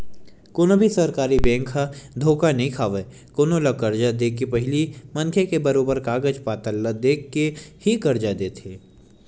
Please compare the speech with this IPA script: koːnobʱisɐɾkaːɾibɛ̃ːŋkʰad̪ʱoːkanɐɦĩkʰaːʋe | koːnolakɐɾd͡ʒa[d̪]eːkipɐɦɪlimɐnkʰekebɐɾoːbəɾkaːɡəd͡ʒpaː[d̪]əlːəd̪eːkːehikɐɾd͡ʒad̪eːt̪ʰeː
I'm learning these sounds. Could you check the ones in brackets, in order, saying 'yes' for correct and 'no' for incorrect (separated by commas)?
yes, no